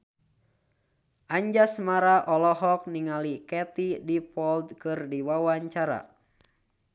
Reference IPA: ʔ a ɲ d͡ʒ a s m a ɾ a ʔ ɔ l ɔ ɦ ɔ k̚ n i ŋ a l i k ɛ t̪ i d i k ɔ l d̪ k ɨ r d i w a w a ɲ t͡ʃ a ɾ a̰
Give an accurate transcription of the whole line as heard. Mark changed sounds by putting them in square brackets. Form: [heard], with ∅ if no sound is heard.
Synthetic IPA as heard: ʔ a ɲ d͡ʒ a s m a ɾ a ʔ ɔ l ɔ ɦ ɔ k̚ n i ŋ a l i k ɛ t̪ i d i [p] ɔ l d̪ k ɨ r d i w a w a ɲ t͡ʃ a ɾ a̰